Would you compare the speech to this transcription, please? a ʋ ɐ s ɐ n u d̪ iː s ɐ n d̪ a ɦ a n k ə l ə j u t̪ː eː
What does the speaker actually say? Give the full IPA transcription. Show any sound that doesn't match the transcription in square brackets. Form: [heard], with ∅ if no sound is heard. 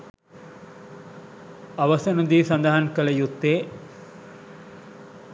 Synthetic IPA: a ʋ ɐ s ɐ n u d̪ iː s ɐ n d̪ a ɦ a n k ə l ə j u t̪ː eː